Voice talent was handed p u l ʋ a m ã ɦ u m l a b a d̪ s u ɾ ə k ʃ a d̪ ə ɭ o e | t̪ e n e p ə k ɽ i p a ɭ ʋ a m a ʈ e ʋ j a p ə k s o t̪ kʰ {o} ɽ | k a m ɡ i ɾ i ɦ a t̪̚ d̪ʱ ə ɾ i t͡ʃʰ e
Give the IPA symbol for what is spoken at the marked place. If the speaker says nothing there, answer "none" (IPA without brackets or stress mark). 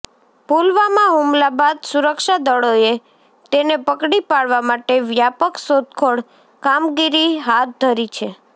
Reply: o